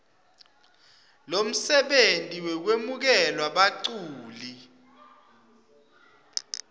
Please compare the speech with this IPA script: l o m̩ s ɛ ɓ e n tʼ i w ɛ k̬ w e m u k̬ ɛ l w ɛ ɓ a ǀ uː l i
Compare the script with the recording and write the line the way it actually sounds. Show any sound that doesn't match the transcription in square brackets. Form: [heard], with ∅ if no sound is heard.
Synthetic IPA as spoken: l o m̩ s ɛ ɓ e n tʼ i w ɛ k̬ w e m u k̬ ɛ l w [a] ɓ a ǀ uː l i